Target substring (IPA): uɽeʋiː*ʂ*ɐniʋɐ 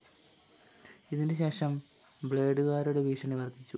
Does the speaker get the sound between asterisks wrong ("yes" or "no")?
no